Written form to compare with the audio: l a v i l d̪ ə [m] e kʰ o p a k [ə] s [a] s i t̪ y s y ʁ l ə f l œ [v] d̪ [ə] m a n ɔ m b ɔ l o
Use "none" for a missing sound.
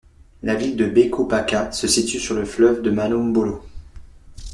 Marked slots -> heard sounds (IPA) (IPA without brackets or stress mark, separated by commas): b, a, ə, v, ə